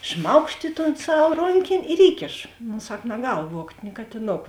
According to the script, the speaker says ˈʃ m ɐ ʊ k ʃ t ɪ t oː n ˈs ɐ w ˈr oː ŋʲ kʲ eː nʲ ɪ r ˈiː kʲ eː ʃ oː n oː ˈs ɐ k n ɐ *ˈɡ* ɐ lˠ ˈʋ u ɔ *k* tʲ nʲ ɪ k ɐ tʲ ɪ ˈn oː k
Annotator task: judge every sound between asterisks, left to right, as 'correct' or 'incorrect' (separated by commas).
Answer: correct, correct